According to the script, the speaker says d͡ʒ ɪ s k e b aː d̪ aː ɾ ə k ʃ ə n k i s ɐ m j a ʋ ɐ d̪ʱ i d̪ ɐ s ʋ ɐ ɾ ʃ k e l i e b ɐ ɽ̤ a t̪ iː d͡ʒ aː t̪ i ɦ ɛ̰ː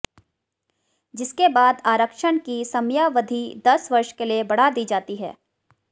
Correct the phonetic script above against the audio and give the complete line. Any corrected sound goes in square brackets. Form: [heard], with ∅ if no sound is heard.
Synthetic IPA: d͡ʒ ɪ s k e b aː d̪ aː ɾ ə k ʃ ə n k i s ɐ m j a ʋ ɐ d̪ʱ i d̪ ɐ s ʋ ɐ ɾ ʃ k e l i e b ɐ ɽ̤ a [d̪] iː d͡ʒ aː t̪ i ɦ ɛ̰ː